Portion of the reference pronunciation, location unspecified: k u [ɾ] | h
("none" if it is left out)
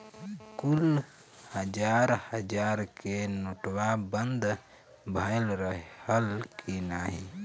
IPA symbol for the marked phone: l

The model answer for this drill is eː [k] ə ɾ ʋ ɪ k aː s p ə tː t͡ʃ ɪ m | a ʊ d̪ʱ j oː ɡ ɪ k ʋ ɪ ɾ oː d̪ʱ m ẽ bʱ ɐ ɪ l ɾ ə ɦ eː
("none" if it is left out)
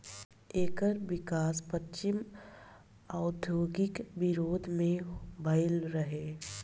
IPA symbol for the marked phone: k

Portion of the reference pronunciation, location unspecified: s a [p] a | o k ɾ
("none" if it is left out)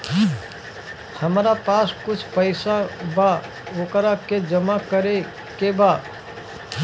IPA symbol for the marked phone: b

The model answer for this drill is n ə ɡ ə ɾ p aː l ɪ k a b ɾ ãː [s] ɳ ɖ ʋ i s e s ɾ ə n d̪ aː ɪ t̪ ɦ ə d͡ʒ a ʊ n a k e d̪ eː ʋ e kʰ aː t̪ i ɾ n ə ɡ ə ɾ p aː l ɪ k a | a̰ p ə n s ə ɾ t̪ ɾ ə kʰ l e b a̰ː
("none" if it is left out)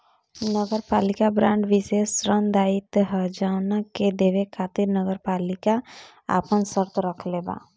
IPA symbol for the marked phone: none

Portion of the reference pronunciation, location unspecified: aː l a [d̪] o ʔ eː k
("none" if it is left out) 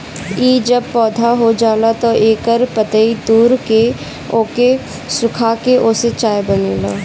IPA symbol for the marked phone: t̪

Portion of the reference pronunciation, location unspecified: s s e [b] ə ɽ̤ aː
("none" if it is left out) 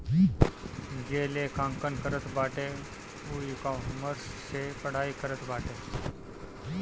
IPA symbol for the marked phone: p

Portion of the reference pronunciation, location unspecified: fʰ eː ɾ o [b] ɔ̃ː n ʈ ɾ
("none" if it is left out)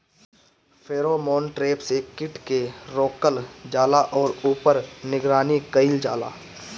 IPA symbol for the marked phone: m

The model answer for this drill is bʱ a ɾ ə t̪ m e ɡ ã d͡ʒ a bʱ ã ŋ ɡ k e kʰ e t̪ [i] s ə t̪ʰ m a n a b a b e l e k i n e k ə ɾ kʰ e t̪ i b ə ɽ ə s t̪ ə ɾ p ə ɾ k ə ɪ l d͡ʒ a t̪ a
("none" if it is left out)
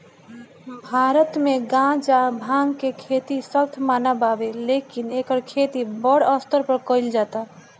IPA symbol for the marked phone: i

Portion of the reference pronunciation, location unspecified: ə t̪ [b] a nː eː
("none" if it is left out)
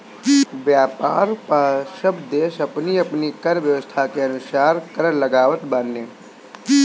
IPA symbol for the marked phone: b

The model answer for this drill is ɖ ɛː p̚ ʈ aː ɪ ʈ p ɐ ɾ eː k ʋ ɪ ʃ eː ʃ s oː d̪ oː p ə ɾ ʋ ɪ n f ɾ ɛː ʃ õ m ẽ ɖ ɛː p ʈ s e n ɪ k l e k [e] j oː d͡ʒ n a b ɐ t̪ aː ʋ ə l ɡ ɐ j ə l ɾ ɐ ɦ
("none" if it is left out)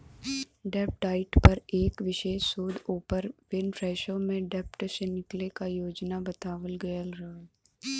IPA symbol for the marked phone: a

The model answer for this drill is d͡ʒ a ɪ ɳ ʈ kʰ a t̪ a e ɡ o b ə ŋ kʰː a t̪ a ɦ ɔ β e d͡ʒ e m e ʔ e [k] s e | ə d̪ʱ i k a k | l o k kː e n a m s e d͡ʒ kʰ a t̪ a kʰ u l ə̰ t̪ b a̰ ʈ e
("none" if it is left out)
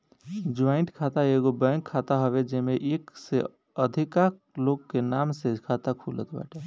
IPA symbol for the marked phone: k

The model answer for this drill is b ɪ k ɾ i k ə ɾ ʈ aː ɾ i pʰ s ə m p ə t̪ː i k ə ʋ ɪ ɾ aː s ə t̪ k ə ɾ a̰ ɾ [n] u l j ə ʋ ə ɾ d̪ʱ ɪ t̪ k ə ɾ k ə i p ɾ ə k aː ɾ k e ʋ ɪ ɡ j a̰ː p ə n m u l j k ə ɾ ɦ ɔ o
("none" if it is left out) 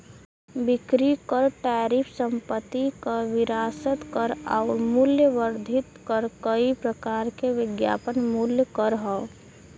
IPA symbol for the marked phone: m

